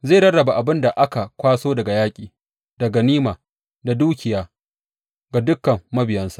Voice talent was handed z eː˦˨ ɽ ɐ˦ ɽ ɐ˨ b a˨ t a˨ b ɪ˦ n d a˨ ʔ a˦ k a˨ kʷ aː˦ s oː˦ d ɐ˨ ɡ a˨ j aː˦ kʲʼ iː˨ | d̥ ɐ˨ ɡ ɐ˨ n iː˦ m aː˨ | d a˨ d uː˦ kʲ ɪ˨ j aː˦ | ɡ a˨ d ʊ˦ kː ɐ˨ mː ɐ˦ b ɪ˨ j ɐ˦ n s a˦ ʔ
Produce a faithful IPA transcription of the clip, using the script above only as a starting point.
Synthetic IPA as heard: z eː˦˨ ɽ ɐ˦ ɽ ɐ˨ b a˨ ʔ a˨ b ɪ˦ n d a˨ ʔ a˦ k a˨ kʷ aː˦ s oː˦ d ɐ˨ ɡ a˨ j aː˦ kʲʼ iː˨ | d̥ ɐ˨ ɡ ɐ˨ n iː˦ m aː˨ | d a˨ d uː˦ kʲ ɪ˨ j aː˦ | ɡ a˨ d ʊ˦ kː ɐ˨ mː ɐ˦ b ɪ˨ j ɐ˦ n s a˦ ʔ